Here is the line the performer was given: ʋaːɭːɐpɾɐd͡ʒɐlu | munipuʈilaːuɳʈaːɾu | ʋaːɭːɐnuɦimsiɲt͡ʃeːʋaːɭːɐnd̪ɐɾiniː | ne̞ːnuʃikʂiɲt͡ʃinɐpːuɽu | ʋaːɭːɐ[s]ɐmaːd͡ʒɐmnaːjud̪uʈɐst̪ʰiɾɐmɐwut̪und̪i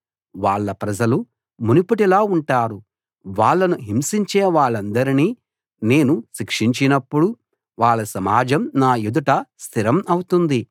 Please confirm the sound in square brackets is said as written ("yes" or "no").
yes